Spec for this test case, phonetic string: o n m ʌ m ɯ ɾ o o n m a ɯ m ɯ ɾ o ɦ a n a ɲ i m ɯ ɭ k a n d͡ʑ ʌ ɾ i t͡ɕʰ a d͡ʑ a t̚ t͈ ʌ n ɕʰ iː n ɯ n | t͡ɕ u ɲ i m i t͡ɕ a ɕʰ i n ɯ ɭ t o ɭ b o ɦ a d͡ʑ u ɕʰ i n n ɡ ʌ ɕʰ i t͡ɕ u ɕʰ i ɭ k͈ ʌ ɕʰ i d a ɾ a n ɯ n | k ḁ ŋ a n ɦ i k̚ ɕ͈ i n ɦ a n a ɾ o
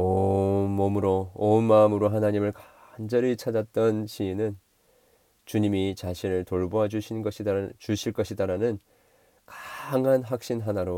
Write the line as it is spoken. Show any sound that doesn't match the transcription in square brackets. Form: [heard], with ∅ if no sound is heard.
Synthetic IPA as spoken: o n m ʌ m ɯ ɾ o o n m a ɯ m ɯ ɾ o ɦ a n a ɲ i m ɯ ɭ k a n d͡ʑ ʌ ɾ i t͡ɕʰ a d͡ʑ a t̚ t͈ ʌ n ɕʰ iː n ɯ n | t͡ɕ u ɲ i m i t͡ɕ a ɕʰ i n ɯ ɭ t o ɭ b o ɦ a d͡ʑ u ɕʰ i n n ɡ ʌ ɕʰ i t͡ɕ u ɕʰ i ɭ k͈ ʌ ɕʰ i d a ɾ a n ɯ n | k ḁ ŋ a n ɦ [a] k̚ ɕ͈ i n ɦ a n a ɾ o